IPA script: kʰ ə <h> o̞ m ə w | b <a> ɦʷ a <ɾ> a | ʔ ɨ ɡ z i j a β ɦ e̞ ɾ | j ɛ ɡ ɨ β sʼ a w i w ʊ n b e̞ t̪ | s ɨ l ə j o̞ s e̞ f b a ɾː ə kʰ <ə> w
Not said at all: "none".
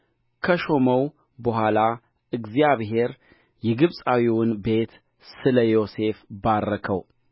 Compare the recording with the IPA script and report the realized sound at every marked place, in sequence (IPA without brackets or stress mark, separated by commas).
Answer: ʃ, ə, l, ə